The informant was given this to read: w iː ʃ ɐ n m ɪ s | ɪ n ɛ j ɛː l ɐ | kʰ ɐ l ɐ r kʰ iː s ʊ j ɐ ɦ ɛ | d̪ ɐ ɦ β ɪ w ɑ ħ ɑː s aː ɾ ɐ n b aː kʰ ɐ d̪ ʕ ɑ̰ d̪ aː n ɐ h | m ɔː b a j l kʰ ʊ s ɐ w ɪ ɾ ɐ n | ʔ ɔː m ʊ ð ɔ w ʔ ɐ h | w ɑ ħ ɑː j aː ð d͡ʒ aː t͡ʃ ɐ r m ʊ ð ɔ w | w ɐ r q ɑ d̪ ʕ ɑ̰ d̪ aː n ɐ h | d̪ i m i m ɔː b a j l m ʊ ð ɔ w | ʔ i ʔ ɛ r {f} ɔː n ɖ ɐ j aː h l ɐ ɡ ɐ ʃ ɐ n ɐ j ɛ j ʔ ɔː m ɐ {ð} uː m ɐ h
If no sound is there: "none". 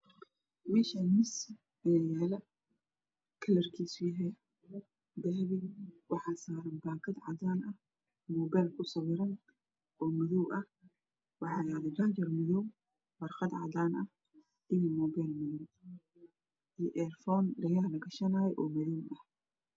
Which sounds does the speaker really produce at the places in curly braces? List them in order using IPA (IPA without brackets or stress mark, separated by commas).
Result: f, ð